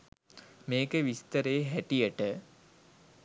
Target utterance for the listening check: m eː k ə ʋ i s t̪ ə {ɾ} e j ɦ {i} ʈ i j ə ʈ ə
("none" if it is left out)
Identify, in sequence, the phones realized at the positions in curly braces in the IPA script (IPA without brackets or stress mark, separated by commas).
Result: ɾ, æ